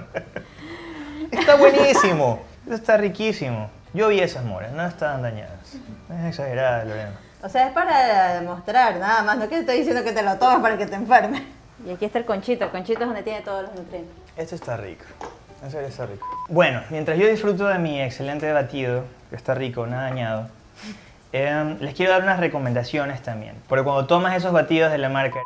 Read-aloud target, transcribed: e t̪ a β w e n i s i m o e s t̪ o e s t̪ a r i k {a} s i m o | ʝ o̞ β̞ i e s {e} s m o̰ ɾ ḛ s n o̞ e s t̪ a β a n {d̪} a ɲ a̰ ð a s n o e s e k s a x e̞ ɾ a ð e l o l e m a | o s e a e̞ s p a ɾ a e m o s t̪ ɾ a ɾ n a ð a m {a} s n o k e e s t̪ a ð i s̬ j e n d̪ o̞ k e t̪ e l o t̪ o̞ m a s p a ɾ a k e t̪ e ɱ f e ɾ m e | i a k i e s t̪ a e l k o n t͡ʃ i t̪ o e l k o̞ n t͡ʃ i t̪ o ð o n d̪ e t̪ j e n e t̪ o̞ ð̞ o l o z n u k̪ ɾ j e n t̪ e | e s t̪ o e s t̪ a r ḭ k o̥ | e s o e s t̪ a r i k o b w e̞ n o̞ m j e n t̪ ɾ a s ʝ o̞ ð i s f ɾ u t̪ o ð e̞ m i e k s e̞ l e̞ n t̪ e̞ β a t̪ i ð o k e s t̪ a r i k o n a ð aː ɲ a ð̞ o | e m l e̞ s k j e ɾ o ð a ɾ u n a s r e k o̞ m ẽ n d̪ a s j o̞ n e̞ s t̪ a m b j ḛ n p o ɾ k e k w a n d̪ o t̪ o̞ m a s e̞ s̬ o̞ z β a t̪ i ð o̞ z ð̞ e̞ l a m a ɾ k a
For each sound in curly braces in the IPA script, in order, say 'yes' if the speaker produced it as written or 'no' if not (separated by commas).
no, no, yes, yes